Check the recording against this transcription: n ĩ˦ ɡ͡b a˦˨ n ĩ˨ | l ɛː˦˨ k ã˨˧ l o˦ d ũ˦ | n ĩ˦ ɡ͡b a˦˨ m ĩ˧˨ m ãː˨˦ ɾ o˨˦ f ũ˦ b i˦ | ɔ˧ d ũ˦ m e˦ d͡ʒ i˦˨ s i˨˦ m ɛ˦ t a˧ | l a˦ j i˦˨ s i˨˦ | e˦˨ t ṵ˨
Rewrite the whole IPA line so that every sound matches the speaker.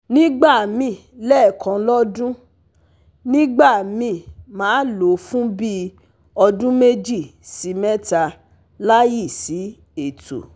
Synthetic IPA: n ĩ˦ ɡ͡b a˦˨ m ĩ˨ | l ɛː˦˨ k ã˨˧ l ɔ˦ d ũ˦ | n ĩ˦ ɡ͡b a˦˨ m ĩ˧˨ m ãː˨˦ l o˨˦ f ũ˦ b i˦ | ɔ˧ d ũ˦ m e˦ d͡ʒ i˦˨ s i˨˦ m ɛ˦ t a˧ | l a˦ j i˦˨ s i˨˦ | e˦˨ t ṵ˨